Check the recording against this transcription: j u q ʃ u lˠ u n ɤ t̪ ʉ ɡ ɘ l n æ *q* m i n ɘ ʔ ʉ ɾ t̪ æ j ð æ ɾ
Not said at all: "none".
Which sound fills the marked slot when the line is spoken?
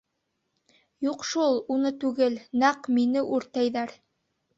q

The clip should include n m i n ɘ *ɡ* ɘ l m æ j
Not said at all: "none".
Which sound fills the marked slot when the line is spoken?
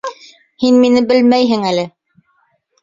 b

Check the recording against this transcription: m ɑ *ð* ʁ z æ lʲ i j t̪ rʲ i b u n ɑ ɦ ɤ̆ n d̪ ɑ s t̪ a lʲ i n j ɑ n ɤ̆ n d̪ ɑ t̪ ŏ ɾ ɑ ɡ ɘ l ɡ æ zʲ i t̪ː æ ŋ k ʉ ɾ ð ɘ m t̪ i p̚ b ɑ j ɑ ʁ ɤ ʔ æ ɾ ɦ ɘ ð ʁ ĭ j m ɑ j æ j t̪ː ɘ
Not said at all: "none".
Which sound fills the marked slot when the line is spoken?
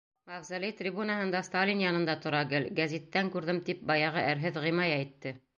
none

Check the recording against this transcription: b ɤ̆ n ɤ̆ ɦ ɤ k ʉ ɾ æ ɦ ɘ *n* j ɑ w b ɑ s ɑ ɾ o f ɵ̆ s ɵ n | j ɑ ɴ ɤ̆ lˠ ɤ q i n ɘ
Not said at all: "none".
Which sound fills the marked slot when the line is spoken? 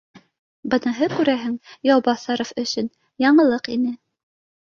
ŋ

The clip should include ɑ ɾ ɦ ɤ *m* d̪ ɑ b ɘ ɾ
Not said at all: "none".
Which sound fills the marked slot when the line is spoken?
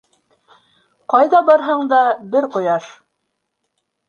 ɴ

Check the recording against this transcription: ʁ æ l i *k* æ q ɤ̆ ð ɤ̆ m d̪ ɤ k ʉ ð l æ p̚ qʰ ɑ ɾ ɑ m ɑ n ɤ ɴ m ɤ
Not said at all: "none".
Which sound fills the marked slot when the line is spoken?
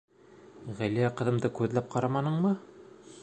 none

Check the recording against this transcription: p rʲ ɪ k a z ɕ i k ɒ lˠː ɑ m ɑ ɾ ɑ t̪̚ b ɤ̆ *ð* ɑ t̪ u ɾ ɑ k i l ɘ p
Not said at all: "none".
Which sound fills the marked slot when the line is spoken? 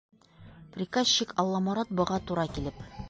ʁ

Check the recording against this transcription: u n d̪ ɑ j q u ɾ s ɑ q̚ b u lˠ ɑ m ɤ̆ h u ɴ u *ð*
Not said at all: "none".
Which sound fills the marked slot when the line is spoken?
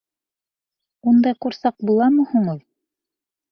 ð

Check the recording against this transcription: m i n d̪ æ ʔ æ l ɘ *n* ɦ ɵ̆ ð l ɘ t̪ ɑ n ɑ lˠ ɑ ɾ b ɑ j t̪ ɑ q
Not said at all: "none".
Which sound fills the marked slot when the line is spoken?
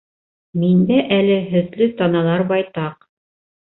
none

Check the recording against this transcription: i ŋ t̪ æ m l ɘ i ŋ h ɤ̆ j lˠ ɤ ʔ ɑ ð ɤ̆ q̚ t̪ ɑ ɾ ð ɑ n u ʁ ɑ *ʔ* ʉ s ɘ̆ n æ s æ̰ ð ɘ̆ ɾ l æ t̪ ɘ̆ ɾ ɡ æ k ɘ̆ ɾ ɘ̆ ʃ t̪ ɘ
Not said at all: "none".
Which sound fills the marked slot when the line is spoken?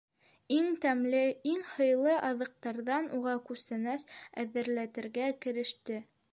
k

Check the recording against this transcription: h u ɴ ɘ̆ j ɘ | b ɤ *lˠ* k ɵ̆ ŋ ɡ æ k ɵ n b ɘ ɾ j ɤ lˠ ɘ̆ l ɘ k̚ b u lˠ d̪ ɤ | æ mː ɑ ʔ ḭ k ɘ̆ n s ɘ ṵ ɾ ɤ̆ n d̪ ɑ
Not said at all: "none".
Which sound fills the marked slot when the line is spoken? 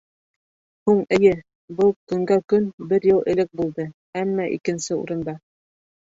lˠ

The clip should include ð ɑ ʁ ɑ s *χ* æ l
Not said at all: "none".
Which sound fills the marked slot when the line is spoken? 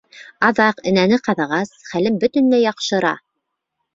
χ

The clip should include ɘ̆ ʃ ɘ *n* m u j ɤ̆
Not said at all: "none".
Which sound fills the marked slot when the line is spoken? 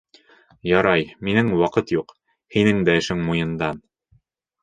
ŋ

